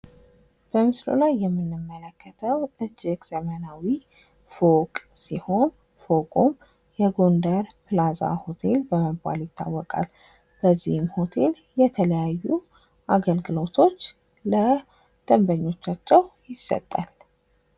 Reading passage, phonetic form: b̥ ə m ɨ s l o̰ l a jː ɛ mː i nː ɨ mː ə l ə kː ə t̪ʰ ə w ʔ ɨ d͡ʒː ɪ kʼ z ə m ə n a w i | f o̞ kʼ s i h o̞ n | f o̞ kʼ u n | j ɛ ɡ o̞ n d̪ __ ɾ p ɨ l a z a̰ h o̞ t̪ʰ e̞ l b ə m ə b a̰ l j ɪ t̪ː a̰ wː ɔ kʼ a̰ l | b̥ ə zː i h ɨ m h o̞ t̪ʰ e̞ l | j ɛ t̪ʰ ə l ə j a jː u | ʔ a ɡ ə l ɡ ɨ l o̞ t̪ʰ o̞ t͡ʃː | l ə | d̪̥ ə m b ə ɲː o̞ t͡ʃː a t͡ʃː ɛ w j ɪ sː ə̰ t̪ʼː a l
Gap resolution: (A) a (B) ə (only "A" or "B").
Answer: B